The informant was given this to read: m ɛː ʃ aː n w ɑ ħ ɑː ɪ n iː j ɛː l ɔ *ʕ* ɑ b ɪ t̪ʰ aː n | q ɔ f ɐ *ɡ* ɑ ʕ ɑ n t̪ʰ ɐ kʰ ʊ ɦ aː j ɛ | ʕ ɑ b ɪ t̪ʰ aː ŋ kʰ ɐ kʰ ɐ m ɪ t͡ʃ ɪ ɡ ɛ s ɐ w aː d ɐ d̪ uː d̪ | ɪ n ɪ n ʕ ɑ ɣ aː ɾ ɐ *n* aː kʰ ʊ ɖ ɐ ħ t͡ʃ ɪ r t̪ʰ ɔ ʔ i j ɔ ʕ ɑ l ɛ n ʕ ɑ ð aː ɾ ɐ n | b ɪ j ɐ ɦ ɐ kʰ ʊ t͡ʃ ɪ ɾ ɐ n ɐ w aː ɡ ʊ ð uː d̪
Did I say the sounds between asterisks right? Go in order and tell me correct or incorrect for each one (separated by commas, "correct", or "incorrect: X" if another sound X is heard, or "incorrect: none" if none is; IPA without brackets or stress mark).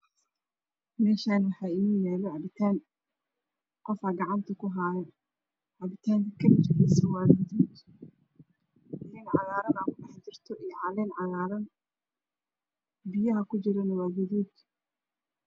correct, correct, correct